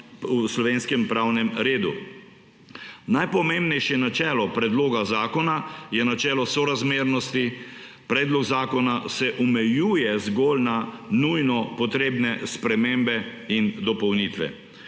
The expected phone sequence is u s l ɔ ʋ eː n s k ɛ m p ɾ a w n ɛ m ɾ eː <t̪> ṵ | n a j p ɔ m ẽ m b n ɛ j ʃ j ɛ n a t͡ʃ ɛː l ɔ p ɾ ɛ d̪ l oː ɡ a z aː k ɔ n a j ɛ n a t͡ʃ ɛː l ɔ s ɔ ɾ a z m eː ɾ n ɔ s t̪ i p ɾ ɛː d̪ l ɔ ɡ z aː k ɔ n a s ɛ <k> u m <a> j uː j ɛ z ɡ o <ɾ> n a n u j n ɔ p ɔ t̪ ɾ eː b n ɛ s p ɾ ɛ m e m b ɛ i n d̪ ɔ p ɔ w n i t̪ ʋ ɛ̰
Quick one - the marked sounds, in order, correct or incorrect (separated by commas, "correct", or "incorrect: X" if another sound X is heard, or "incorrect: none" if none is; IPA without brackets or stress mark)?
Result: incorrect: d̪, incorrect: ʔ, incorrect: ɛ, incorrect: l